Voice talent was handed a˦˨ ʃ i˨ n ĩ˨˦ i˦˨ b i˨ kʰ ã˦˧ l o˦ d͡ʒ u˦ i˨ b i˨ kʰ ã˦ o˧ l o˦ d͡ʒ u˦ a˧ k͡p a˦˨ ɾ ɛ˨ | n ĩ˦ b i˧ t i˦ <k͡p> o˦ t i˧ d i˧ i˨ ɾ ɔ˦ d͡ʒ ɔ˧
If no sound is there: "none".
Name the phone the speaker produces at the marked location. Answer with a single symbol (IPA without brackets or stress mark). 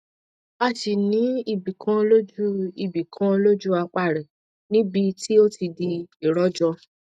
none